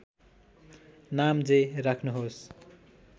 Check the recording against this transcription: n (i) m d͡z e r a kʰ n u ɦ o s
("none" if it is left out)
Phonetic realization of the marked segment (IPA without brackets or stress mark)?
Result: a